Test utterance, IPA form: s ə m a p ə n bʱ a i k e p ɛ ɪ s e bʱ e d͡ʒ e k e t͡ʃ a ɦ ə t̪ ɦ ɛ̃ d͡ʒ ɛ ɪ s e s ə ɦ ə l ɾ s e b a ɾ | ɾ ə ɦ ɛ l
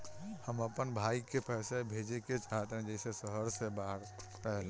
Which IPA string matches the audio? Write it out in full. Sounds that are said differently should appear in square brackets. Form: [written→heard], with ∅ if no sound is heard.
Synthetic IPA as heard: [s→h] ə m [a→ə] p ə n bʱ a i k e p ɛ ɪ s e bʱ e d͡ʒ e k e t͡ʃ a ɦ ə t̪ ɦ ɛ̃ d͡ʒ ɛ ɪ s e s ə ɦ ə [l→∅] ɾ s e b a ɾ | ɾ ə ɦ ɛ l